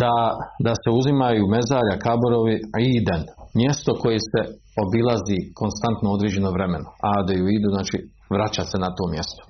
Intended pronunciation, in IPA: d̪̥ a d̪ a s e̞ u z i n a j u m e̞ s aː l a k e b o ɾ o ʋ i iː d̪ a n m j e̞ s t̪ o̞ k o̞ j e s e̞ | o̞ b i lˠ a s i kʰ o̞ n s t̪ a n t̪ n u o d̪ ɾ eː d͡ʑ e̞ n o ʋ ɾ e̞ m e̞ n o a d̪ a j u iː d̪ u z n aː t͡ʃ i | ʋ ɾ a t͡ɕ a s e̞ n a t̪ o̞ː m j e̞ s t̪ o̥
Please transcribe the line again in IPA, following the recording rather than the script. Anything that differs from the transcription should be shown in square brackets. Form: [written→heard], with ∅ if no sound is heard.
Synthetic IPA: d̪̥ a d̪ a s e̞ u z i [n→m] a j u m e̞ [s→z] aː [l→ʎ] a k [e→a] b o ɾ o ʋ i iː d̪ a n m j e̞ s t̪ o̞ k o̞ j e s e̞ | o̞ b i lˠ a [s→z] i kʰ o̞ n s t̪ a n t̪ n [u→o] o d̪ ɾ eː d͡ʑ e̞ n o ʋ ɾ e̞ m e̞ n o a d̪ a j u iː d̪ u z n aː t͡ʃ i | ʋ ɾ a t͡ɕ a s e̞ n a t̪ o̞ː m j e̞ s t̪ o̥